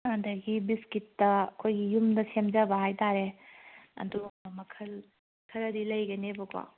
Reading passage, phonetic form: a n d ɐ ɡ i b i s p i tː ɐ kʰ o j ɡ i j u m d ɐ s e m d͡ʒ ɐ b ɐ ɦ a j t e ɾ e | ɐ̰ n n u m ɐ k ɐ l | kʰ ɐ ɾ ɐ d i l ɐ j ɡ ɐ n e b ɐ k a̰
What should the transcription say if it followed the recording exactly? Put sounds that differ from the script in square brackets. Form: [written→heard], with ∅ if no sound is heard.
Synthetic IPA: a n d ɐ ɡ i b i s [p→k] i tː ɐ kʰ o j ɡ i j u m d ɐ s e m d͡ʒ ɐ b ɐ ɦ a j t [e→a] ɾ e | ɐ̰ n [n→d] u m ɐ [k→kʰ] ɐ l | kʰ ɐ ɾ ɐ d i l ɐ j ɡ ɐ n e b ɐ k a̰